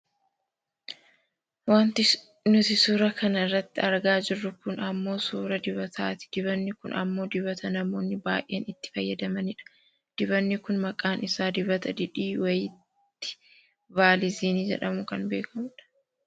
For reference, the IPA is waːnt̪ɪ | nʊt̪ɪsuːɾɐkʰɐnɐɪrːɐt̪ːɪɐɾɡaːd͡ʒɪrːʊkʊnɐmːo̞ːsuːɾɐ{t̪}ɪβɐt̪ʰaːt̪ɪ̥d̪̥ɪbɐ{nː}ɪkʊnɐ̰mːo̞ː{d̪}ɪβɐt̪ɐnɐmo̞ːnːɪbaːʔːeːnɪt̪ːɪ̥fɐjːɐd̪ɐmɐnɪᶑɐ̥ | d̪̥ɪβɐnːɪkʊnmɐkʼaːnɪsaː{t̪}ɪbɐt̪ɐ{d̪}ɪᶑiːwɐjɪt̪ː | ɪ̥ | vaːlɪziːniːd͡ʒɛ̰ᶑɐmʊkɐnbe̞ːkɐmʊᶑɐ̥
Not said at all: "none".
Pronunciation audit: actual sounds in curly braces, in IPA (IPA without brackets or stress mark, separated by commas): d̪, nː, d̪, d̪, d̪